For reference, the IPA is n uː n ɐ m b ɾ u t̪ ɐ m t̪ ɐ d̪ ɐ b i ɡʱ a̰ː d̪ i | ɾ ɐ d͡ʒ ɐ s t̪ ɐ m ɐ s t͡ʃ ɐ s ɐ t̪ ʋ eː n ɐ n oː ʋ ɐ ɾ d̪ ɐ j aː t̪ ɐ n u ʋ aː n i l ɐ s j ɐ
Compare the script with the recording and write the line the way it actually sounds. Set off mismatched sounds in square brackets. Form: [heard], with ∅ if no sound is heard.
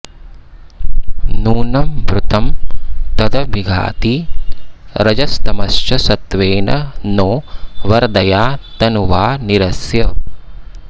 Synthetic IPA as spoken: n uː n ɐ m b ɾ u t̪ ɐ m t̪ ɐ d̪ ɐ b i ɡʱ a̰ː [t̪] i | ɾ ɐ d͡ʒ ɐ s t̪ ɐ m ɐ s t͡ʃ ɐ s ɐ t̪ ʋ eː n ɐ n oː ʋ ɐ ɾ d̪ ɐ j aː t̪ ɐ n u ʋ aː n i [ɾ] ɐ s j ɐ